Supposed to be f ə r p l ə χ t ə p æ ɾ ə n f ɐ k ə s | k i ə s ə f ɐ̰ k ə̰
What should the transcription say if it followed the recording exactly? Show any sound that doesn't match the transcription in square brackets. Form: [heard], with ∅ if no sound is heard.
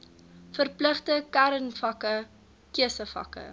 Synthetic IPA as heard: f ə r p l ə χ t ə [k] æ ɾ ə n f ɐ k ə [∅] | k i ə s ə f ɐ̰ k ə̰